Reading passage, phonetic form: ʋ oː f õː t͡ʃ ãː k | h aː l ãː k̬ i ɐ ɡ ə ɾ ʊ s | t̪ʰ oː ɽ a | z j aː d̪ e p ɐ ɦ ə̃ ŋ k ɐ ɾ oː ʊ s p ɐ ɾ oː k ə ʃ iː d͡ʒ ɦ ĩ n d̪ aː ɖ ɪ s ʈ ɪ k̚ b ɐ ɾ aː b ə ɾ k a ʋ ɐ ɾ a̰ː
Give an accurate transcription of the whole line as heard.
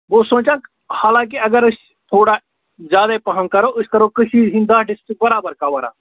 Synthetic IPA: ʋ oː s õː t͡ʃ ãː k | h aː l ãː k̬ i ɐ ɡ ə ɾ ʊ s | t̪ʰ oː ɽ a | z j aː d̪ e p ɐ ɦ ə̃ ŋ k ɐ ɾ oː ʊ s k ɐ ɾ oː k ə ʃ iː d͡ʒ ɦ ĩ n d̪ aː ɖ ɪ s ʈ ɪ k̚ b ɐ ɾ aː b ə ɾ k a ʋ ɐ ɾ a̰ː